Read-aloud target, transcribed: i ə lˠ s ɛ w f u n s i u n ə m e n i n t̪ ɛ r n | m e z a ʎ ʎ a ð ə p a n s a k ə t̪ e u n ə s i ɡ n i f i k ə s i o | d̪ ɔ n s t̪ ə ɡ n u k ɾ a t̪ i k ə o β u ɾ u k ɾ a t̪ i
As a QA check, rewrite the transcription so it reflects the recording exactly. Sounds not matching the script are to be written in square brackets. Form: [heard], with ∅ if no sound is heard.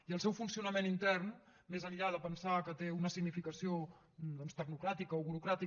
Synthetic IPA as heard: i ə lˠ s ɛ w f u n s i u n ə m e n i n t̪ ɛ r n | m e z [ə] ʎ ʎ a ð ə p [ə] n s a k ə t̪ e u n ə s i ɡ n i f i k ə s i o | d̪ ɔ n s t̪ ə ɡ n u k ɾ a t̪ i k ə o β u ɾ u k ɾ a t̪ i